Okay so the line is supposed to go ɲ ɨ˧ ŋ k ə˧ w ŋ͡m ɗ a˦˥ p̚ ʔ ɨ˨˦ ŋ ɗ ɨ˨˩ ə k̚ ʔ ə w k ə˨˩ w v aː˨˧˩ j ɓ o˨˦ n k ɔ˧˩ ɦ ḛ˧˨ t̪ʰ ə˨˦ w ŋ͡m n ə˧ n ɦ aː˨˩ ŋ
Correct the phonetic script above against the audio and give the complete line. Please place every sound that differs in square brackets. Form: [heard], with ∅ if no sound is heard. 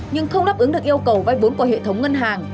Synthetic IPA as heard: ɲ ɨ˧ ŋ [x] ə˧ w ŋ͡m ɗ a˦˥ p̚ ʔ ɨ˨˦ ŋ ɗ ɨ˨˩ ə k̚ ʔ ə w k ə˨˩ w v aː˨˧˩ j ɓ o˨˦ n k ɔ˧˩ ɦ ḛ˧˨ t̪ʰ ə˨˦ w ŋ͡m [ŋ] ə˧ n ɦ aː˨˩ ŋ